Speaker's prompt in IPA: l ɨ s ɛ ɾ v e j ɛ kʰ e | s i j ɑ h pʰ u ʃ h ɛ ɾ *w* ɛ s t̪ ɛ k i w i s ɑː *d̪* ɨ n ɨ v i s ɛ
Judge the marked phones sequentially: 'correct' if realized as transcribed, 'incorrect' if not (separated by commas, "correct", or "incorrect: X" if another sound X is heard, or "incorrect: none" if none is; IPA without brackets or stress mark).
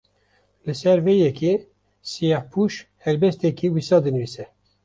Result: incorrect: b, correct